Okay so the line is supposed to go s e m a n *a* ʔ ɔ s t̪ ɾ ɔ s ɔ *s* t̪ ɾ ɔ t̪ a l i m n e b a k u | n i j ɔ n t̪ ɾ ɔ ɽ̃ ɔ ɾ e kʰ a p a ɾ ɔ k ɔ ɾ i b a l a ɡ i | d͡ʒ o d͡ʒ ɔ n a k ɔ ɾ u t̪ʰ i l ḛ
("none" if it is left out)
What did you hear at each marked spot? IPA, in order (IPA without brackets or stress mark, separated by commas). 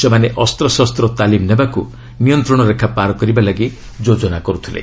e, s